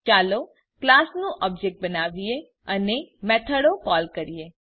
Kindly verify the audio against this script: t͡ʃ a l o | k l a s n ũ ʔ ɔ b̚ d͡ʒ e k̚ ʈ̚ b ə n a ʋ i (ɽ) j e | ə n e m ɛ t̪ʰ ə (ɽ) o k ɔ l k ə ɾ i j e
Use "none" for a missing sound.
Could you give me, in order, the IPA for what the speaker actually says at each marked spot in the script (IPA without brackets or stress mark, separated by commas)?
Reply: none, ɽ